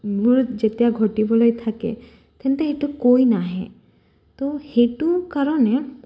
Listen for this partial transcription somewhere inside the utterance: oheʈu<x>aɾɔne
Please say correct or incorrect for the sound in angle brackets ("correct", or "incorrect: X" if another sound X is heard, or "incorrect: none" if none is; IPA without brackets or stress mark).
incorrect: k